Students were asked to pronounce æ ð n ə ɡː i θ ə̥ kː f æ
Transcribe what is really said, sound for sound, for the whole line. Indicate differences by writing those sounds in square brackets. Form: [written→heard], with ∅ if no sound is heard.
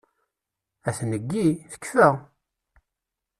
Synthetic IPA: æ [ð→θ] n ə ɡː i θ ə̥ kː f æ